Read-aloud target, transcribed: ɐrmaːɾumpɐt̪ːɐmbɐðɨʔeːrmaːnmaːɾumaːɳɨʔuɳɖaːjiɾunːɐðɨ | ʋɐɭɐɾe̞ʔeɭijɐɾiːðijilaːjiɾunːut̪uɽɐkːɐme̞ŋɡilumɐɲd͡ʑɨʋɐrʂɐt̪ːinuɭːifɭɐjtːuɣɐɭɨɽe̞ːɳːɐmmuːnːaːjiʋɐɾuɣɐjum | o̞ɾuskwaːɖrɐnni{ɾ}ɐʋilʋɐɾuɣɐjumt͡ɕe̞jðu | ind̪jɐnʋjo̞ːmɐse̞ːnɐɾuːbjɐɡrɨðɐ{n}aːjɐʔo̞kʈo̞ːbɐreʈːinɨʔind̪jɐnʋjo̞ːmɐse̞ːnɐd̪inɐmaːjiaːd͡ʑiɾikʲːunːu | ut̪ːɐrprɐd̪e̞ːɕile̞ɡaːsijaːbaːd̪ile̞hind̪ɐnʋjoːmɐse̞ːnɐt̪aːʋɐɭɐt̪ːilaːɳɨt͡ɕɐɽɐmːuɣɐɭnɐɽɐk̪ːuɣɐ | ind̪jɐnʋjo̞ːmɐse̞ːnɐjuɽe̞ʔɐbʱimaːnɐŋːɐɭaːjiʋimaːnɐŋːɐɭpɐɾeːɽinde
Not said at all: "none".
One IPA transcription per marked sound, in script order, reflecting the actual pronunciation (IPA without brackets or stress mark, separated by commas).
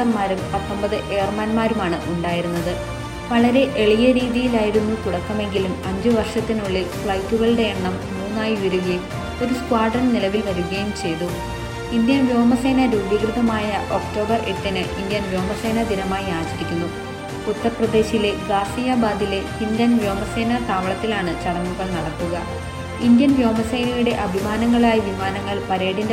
l, m